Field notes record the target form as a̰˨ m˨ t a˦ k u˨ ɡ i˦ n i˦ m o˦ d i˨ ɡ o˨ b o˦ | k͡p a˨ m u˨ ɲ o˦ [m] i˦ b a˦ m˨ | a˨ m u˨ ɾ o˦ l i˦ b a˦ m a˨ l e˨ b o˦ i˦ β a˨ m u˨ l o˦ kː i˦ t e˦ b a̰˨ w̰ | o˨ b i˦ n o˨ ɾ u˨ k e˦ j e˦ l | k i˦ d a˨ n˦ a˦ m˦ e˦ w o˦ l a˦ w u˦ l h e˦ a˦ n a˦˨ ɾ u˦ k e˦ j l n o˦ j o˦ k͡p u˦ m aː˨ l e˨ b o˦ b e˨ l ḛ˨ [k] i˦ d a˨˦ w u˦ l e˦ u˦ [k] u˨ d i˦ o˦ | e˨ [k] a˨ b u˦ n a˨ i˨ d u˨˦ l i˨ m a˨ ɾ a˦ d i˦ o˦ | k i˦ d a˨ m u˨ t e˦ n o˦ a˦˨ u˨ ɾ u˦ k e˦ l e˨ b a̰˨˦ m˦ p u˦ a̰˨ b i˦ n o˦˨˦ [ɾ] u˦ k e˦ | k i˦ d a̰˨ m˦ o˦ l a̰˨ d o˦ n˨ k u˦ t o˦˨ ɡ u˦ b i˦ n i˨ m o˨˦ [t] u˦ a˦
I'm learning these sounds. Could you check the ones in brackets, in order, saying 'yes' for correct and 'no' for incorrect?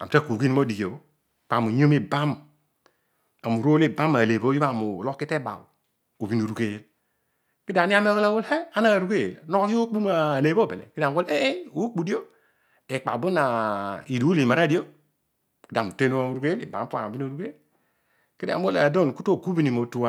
yes, yes, no, no, yes, yes

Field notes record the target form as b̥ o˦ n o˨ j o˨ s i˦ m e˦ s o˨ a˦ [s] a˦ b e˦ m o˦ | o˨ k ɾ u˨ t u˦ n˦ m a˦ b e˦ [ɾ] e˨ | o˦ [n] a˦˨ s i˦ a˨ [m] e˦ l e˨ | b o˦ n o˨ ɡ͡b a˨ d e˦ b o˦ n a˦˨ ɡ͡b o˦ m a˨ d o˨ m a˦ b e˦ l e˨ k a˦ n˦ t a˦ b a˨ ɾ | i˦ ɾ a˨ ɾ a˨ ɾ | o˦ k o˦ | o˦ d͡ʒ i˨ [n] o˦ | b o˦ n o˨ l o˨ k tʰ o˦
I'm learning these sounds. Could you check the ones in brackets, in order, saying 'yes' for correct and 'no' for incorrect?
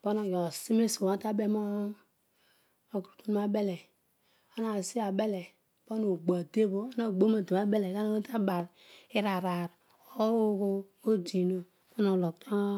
no, no, yes, no, yes

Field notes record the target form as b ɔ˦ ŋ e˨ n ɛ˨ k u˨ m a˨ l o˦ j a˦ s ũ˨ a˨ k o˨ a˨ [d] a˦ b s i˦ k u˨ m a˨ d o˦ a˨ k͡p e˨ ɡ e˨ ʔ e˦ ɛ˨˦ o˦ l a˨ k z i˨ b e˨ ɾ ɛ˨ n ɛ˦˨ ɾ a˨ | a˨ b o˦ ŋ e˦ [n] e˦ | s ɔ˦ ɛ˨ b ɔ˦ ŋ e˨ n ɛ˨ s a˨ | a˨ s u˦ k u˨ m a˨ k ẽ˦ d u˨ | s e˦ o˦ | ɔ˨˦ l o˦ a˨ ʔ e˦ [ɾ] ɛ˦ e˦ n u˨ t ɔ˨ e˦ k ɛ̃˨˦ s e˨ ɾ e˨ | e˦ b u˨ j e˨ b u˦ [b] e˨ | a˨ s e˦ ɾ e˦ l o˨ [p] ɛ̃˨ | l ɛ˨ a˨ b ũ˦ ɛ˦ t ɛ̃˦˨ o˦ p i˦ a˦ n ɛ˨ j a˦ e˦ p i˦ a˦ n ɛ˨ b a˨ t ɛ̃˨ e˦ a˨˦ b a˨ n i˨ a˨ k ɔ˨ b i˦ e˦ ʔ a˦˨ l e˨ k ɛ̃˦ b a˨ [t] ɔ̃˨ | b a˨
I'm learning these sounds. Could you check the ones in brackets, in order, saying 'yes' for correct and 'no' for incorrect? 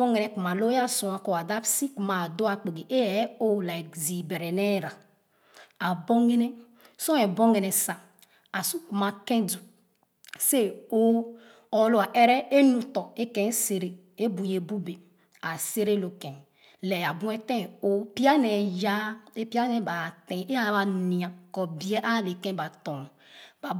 yes, yes, yes, yes, no, yes

